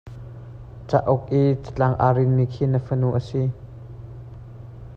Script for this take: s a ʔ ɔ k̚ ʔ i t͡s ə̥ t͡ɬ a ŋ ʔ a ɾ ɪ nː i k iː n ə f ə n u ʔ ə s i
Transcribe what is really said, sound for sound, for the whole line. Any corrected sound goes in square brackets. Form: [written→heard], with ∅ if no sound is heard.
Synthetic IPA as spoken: [s→t͡s] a ʔ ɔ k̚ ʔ i t͡s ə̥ t͡ɬ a ŋ ʔ a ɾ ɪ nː i [k→kʰ] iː n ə f ə n u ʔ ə s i